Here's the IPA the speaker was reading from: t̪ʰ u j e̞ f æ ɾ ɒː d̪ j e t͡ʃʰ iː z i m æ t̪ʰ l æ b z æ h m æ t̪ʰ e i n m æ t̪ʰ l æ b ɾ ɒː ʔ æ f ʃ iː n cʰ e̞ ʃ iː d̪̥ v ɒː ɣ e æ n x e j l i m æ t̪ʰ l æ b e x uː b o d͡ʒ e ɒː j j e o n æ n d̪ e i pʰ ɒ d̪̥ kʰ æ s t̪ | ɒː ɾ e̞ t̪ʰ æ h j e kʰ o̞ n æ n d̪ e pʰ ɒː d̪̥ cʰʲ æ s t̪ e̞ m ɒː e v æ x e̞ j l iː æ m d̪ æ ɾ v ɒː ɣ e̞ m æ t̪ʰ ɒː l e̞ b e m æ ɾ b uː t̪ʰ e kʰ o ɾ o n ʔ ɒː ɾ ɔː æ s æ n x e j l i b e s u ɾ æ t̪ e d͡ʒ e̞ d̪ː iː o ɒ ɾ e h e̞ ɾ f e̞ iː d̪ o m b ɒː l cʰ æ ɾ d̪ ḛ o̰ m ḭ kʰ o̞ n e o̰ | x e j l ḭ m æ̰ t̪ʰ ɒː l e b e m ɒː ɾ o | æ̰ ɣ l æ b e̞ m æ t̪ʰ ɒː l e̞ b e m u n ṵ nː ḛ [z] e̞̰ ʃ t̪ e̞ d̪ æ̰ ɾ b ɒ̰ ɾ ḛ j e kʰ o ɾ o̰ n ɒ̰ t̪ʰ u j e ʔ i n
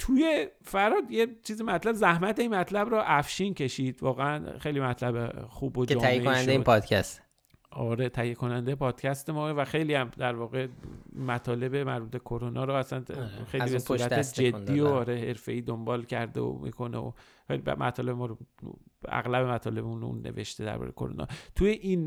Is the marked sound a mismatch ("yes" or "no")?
yes